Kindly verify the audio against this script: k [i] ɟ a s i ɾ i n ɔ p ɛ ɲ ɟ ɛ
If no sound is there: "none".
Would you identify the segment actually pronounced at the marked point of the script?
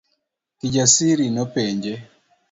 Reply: i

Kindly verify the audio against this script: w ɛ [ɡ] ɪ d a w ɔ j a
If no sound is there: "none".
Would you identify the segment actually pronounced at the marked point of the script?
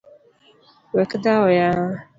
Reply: k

